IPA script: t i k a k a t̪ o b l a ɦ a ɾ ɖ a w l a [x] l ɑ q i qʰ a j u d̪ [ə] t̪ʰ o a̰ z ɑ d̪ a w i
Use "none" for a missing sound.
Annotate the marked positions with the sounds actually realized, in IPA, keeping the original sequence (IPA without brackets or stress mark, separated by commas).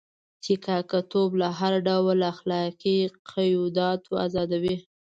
x, ɑ